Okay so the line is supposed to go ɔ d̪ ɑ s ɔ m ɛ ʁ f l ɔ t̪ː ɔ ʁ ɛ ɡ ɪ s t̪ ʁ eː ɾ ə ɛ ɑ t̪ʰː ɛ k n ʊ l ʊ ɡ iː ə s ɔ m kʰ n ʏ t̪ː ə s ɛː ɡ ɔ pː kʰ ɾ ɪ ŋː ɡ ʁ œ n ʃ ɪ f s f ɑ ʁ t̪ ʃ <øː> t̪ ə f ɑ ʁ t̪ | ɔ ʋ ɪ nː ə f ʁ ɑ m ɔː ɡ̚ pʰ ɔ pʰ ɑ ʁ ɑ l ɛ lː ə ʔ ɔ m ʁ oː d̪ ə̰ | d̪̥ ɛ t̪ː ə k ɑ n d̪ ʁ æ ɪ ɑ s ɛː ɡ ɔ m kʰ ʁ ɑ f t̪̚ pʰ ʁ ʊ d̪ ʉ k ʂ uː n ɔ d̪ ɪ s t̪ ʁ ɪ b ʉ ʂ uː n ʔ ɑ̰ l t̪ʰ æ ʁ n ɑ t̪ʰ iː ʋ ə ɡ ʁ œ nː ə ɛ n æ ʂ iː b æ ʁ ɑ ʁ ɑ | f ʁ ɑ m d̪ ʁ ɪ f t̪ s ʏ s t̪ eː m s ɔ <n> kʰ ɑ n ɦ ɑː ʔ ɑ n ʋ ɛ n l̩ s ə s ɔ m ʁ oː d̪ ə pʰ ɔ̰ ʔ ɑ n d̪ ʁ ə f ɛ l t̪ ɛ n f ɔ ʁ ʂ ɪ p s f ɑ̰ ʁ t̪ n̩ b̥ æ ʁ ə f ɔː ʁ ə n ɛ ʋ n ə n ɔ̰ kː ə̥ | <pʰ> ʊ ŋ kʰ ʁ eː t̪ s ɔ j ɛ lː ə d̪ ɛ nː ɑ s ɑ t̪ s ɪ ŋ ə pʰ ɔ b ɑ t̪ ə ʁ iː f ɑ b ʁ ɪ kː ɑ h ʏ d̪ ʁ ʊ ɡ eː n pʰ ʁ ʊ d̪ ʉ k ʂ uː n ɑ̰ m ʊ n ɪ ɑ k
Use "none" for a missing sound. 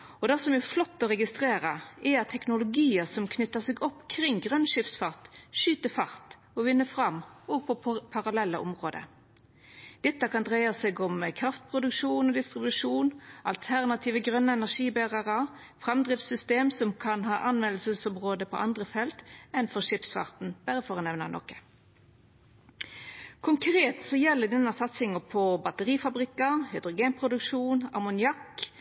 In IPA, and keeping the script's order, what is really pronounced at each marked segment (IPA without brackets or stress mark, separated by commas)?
yː, m, kʰ